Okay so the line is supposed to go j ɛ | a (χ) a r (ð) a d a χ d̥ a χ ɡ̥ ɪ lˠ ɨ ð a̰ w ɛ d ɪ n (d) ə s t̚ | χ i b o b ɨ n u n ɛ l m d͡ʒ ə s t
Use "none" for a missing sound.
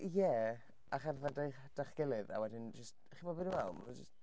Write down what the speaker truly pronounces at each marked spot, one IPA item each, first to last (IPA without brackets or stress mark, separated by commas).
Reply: χ, ð, d͡ʒ